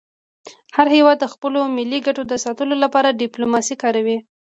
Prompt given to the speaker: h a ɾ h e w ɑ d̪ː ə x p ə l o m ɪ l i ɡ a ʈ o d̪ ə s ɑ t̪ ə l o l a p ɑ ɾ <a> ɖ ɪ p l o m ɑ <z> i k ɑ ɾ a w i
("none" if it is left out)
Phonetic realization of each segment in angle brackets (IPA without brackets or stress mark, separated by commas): a, s